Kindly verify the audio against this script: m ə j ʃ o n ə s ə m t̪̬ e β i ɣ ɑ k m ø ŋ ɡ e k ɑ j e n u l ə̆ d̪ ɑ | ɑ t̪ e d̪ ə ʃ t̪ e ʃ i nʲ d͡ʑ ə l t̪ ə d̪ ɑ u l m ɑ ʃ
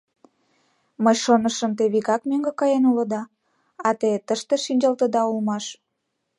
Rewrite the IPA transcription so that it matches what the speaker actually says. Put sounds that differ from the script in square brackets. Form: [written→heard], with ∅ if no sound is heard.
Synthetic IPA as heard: m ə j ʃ o n ə [s→ʃ] ə m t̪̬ e β i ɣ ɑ k m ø ŋ ɡ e k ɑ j e n u l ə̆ d̪ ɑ | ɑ t̪ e [d̪→t̪] ə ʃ t̪ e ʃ i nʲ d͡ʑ [ə→ɑ] l t̪ ə d̪ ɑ u l m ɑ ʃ

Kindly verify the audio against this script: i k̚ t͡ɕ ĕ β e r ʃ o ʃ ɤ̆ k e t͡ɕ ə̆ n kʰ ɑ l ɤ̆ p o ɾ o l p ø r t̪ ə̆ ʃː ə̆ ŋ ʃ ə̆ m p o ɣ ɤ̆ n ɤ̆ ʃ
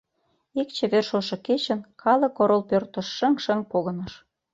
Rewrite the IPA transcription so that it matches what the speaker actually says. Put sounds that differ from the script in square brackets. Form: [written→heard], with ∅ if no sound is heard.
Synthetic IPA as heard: i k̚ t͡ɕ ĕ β e r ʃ o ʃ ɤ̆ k e t͡ɕ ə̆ n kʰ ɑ l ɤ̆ [p→k] o ɾ o l p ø r t̪ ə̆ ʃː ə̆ ŋ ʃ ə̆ [m→ŋ] p o ɣ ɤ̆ n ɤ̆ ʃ

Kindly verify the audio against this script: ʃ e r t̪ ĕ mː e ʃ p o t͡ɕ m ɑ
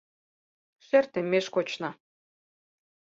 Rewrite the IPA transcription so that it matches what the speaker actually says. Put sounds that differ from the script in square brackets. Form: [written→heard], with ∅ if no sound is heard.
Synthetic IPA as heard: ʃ e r t̪ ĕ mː e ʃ [p→k] o t͡ɕ [m→n] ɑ

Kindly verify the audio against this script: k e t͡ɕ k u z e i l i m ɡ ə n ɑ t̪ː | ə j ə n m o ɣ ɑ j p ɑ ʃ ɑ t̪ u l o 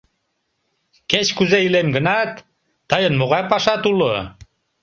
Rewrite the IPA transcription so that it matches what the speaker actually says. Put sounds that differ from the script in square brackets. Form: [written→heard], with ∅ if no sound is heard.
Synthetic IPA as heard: k e t͡ɕ k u z e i l [i→e] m ɡ ə n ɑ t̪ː | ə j ə n m o ɣ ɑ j p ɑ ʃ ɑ t̪ u l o

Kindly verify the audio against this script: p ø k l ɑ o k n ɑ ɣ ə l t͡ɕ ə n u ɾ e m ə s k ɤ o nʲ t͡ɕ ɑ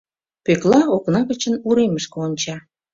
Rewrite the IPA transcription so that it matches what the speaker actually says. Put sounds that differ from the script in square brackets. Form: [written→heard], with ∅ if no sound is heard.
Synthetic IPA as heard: p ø k l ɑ o k n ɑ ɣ ə [l→∅] t͡ɕ ə n u ɾ e m ə [s→ʃ] k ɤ o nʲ t͡ɕ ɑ

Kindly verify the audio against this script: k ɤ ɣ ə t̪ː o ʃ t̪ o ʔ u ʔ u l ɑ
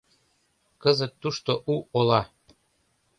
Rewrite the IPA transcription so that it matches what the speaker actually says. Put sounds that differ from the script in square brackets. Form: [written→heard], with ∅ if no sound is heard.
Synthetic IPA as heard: k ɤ [ɣ→z] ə t̪ː [o→u] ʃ t̪ o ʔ u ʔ [u→o] l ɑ

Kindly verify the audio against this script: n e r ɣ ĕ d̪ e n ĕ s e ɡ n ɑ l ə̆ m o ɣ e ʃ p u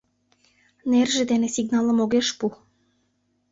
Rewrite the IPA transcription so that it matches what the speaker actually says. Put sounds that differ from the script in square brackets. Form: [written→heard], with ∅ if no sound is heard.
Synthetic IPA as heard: n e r [ɣ→ʒ] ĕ d̪ e n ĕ s [e→i] ɡ n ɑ l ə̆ m o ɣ e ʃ p u

